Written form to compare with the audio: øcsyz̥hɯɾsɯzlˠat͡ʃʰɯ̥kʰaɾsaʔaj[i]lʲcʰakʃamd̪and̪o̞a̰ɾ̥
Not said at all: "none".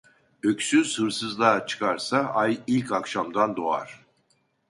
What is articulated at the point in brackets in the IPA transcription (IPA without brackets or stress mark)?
i